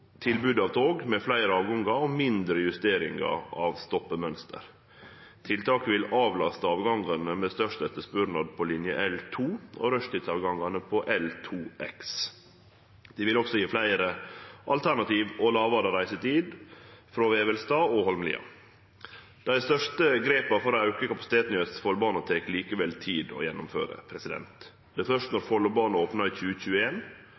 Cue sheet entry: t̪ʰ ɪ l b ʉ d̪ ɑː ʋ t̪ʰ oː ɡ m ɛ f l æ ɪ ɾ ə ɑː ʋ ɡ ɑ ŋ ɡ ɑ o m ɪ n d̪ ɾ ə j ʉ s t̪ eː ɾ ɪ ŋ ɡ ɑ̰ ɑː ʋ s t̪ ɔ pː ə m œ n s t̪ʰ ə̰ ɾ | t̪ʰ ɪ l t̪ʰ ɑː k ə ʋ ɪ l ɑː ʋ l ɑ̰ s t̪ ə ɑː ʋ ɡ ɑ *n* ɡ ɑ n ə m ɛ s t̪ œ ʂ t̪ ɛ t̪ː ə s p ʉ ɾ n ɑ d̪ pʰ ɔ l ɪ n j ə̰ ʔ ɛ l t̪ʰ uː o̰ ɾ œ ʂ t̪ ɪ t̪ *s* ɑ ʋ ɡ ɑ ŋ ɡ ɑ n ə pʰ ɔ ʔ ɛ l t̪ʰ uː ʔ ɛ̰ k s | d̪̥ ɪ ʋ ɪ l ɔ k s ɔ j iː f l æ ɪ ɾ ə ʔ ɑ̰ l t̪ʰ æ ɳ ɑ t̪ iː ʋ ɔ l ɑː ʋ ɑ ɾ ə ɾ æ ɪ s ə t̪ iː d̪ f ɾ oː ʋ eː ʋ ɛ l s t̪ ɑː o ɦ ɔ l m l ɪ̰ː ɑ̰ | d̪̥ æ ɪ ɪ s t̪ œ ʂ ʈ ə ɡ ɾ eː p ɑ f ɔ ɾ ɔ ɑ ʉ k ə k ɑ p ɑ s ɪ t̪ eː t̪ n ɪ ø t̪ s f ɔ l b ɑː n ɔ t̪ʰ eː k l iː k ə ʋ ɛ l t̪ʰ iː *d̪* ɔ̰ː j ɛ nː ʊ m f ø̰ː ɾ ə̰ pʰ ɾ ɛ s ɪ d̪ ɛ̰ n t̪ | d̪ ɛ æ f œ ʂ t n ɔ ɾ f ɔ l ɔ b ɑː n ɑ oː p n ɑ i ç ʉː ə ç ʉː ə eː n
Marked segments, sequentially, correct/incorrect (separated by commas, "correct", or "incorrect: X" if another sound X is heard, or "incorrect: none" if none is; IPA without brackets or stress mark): incorrect: ŋ, correct, correct